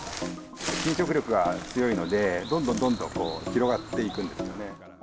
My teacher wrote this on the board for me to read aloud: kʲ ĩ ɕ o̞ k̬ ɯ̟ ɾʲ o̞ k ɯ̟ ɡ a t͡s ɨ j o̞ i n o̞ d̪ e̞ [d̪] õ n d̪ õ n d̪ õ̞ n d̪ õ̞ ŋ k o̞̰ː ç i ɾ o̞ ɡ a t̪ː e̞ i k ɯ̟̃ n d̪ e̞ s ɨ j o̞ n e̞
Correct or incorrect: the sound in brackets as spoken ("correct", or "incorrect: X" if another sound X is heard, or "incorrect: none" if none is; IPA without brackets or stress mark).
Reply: correct